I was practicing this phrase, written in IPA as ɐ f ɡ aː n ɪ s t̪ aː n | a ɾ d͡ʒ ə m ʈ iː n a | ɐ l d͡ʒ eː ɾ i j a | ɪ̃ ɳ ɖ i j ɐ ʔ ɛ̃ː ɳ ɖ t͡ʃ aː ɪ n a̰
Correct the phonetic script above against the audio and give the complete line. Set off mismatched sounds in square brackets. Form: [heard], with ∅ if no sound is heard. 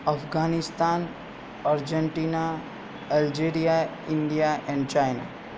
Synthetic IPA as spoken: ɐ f ɡ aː n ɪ s t̪ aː n | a ɾ d͡ʒ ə [ɳ] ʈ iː n a | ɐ l d͡ʒ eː ɾ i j a | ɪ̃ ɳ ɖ i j [a] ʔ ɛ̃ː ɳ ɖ t͡ʃ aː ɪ n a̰